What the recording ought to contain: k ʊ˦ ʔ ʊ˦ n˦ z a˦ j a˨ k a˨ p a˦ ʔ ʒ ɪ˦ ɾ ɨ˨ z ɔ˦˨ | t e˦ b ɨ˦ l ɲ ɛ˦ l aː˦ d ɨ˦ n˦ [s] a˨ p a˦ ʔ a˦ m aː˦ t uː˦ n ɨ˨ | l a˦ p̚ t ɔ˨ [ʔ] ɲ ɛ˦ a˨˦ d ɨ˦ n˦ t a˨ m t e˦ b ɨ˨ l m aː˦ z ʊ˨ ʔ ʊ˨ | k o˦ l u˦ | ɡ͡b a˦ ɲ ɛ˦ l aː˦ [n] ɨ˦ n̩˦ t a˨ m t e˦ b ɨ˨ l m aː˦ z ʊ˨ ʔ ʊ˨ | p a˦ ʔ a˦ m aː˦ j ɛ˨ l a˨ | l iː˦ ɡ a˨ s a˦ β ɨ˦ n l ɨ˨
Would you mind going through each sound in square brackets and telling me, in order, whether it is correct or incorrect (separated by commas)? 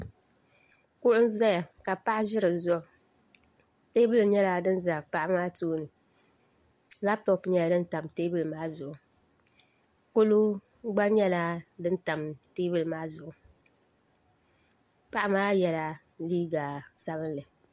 incorrect, incorrect, incorrect